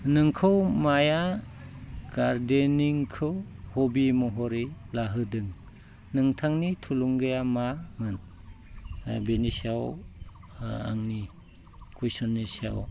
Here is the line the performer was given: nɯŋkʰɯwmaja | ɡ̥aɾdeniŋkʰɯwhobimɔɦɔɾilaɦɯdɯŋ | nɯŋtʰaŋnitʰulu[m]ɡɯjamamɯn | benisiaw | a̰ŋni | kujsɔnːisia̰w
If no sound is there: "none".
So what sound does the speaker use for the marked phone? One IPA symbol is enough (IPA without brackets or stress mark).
ŋ